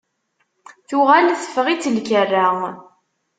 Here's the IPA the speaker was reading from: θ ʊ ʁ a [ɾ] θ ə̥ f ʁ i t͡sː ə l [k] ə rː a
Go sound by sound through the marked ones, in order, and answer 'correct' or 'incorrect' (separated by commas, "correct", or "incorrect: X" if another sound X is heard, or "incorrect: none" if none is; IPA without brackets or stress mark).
incorrect: l, correct